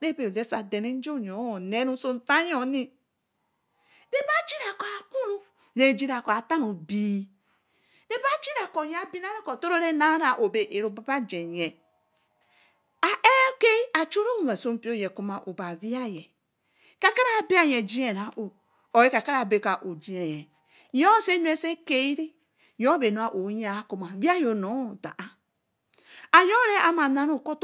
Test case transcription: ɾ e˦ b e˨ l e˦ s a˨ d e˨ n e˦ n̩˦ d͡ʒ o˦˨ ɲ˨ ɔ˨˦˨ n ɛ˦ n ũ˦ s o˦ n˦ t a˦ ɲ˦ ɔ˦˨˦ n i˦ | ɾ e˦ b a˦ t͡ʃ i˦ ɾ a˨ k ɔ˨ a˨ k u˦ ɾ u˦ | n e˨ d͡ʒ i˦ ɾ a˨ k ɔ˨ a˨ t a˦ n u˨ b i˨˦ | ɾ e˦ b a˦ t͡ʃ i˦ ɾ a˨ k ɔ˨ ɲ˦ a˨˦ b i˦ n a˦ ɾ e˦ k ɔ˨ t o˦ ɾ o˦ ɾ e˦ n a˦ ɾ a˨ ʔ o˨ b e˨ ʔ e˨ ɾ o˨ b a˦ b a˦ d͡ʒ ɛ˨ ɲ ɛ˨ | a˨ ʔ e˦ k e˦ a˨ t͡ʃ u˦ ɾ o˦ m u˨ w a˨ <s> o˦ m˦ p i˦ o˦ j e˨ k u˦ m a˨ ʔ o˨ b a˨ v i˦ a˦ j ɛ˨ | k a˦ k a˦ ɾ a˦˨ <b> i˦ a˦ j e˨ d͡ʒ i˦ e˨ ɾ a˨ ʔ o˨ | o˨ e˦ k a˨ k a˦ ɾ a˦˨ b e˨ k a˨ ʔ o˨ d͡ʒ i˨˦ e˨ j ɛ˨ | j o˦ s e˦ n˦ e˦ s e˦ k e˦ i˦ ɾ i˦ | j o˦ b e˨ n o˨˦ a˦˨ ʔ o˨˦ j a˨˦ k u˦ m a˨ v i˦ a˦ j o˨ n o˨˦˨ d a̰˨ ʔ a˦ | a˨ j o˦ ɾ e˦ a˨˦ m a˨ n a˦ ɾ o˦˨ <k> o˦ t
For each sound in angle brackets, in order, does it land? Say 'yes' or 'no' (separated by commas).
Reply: yes, yes, yes